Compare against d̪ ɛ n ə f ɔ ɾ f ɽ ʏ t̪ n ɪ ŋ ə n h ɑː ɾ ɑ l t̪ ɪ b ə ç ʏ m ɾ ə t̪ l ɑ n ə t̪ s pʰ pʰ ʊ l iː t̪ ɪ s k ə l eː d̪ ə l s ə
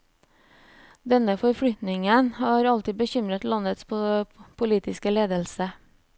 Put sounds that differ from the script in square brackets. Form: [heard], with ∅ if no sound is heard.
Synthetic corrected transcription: d̪ ɛ n ə f ɔ ɾ f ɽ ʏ t̪ n ɪ ŋ ə n h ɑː ɾ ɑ l t̪ ɪ b ə ç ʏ m ɾ ə t̪ l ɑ n ə t̪ s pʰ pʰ ʊ l iː t̪ ɪ s k ə l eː d̪ ə l s ə